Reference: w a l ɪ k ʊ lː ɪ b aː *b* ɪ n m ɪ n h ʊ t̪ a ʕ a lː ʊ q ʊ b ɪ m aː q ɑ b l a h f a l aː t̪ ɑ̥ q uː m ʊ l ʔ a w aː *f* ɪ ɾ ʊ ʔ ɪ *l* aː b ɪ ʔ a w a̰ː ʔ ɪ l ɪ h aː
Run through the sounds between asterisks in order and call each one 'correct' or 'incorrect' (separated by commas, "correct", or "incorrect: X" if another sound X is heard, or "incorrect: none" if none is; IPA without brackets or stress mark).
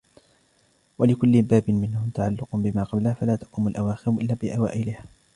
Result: correct, incorrect: x, incorrect: lː